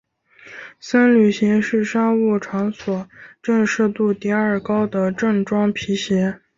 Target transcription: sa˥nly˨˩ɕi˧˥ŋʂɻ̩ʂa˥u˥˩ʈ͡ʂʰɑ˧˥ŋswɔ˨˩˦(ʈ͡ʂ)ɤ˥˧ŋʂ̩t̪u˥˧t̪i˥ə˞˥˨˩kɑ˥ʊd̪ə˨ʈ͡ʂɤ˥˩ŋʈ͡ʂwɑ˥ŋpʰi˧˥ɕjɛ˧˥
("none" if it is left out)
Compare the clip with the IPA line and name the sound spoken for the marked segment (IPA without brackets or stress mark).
ʈ͡ʂ